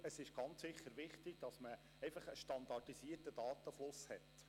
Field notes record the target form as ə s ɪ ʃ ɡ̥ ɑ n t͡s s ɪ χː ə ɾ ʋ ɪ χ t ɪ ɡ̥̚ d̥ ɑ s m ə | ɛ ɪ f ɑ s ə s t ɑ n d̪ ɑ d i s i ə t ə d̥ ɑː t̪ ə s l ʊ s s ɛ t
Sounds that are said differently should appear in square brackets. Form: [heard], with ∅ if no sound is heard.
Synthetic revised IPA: ə s ɪ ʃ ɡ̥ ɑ n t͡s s ɪ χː ə ɾ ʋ ɪ χ t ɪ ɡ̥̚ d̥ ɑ s m ə | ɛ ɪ f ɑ [χ] ə [ʃ] t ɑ n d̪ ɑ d i s i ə t ə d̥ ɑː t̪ ə [f] l ʊ s [h] ɛ t